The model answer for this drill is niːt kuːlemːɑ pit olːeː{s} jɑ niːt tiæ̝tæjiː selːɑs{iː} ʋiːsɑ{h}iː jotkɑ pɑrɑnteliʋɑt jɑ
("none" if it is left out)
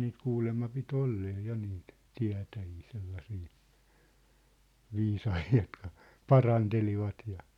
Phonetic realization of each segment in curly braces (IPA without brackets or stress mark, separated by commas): none, iː, h